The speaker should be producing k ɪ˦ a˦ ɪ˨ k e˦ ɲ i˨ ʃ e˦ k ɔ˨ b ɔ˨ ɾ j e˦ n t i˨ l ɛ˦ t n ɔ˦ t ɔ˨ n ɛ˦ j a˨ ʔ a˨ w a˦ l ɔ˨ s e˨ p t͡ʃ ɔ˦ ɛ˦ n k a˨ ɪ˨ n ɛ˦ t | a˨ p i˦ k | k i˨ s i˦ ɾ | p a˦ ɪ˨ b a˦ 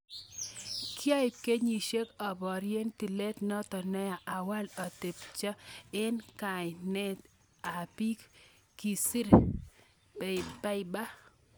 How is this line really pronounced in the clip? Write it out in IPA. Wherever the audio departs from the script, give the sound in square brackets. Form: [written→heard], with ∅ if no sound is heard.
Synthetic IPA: k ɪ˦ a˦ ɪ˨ k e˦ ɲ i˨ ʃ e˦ k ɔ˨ b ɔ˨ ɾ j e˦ n t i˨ l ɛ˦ t n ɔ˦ t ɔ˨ n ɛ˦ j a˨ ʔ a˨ w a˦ l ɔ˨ [s→t] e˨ p t͡ʃ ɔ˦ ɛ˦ n k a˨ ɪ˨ n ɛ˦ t | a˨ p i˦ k | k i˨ s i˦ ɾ | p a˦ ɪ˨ b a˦